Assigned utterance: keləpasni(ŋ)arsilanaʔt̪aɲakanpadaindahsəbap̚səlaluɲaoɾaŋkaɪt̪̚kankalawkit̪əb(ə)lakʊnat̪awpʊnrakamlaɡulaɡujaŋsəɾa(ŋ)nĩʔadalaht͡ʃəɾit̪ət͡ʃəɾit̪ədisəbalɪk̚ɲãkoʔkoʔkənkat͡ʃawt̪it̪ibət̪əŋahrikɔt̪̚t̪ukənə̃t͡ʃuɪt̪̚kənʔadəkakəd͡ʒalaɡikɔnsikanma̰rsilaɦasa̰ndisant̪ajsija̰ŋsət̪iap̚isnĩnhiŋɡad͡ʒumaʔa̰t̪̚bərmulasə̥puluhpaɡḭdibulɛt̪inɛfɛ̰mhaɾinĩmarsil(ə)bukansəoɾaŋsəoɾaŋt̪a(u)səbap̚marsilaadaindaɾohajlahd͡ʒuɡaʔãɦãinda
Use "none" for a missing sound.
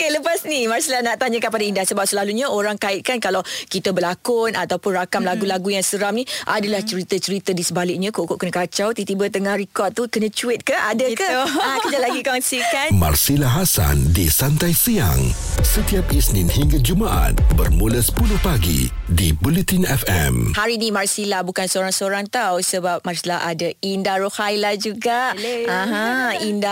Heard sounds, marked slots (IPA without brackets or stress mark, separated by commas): m, ə, m, a, w